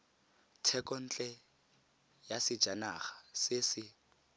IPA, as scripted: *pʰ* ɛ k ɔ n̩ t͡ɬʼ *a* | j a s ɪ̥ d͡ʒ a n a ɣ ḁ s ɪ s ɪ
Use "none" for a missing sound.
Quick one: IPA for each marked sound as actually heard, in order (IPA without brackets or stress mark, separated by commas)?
tʰ, ɛ